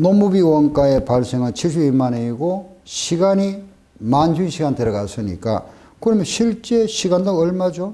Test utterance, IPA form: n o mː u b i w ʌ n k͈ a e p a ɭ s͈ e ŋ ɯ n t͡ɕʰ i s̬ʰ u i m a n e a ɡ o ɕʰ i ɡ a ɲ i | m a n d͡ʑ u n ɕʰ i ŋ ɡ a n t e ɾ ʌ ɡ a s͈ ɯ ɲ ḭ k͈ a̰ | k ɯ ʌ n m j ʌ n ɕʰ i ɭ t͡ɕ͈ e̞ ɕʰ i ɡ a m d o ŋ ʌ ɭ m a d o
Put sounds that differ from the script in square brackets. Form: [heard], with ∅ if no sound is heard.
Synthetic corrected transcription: n o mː u b i w ʌ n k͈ a e p a ɭ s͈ e ŋ ɯ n t͡ɕʰ i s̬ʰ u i m a n e [i] ɡ o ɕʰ i ɡ a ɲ i | m a n d͡ʑ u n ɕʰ i [∅] ɡ a n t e ɾ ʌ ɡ a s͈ ɯ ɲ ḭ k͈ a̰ | k ɯ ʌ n m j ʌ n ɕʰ i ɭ t͡ɕ͈ e̞ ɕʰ i ɡ a [n] d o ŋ ʌ ɭ m a [d͡ʑ] o